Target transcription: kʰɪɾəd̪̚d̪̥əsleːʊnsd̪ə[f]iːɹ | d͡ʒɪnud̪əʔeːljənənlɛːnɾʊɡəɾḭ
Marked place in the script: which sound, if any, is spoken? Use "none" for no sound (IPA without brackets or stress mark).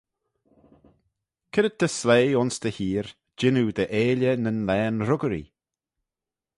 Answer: h